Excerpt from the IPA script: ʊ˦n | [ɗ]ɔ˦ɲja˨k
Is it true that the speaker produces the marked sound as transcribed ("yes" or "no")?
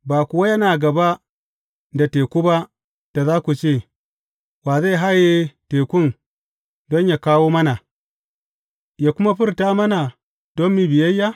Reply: no